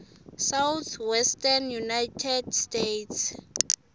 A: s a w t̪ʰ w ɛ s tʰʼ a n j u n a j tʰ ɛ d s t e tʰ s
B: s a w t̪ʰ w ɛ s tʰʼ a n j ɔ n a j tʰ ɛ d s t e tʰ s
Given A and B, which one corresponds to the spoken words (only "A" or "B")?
A